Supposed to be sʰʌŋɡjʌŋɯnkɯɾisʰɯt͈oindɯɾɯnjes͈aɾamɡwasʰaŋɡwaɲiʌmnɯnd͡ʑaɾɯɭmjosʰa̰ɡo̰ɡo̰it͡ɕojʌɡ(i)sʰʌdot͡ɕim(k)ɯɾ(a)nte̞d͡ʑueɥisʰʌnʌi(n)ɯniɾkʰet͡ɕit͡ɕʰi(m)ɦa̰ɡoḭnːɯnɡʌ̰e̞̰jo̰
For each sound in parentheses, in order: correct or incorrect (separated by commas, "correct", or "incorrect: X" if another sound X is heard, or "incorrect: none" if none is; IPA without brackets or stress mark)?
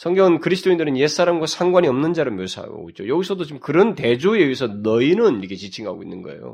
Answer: correct, correct, incorrect: ʌ, correct, incorrect: ŋ